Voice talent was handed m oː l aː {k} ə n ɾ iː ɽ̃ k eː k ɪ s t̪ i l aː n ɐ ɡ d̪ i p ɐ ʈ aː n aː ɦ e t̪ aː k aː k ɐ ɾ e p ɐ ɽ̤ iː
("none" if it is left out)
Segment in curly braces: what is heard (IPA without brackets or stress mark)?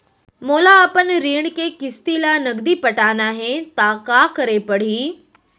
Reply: p